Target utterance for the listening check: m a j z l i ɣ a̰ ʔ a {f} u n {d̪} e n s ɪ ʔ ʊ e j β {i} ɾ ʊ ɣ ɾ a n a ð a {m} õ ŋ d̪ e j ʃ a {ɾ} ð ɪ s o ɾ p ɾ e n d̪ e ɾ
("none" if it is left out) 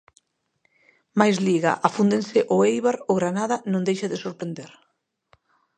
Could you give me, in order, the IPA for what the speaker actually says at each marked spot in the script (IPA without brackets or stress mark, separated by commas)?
f, d̪, a, n, none